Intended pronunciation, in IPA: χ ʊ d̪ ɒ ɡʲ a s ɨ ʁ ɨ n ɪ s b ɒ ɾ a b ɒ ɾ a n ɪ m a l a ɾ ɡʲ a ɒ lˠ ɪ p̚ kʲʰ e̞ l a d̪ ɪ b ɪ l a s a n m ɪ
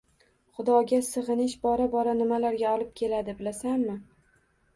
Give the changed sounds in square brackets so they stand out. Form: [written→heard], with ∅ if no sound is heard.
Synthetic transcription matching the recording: χ ʊ d̪ ɒ ɡʲ a s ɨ ʁ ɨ n ɪ [s→ʃ] b ɒ ɾ a b ɒ ɾ a n ɪ m a l a ɾ ɡʲ a ɒ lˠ ɪ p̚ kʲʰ e̞ l a d̪ ɪ b ɪ l a s a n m ɪ